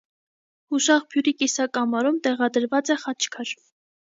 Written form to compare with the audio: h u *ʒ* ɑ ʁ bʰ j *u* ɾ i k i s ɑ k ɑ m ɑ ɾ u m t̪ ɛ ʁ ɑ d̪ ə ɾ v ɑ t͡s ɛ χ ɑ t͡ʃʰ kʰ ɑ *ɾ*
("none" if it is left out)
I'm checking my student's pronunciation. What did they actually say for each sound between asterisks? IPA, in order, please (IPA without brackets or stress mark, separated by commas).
ʃ, u, ɾ